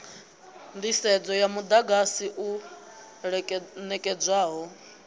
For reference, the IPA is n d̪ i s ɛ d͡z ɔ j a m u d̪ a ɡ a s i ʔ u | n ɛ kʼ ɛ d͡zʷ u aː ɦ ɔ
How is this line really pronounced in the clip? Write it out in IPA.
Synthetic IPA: n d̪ i s ɛ d͡z ɔ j a m u d̪ a ɡ a s i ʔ u | n ɛ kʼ ɛ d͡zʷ w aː ɦ ɔ